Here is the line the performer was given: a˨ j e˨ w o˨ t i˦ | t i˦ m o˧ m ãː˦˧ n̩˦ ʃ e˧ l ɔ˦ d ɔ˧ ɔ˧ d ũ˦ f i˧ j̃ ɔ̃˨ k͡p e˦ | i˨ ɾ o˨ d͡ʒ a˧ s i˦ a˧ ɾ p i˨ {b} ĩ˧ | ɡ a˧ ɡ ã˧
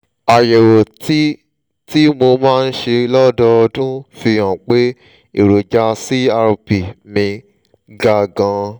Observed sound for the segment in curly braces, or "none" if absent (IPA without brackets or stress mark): m